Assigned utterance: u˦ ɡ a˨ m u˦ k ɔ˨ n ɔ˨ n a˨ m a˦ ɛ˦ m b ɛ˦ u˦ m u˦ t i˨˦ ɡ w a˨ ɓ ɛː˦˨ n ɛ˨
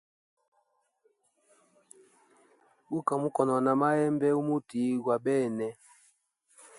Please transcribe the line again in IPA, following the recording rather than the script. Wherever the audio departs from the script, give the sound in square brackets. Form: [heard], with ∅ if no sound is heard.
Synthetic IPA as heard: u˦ [k] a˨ m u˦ k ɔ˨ n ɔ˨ n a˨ m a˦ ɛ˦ m b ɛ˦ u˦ m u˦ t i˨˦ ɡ w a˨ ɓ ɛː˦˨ n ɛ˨